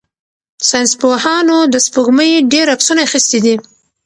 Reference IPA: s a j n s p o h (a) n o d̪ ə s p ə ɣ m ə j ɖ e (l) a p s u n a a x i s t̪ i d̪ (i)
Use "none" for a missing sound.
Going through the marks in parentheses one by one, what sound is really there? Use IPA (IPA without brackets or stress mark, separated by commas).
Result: ɑ, ɾ, i